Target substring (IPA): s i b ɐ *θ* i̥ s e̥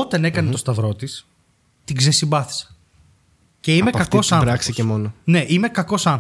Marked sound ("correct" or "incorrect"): correct